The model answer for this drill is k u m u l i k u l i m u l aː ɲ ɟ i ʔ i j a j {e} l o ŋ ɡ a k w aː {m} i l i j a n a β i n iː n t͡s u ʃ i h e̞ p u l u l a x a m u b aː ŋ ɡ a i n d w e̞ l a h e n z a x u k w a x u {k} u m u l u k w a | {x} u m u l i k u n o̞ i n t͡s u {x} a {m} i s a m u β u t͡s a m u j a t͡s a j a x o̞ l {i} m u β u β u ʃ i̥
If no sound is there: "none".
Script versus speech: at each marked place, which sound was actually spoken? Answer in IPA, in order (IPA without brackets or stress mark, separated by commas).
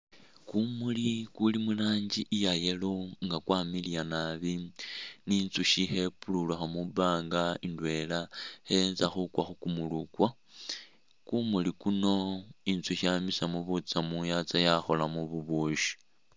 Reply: e, m, k, k, ʃ, m, a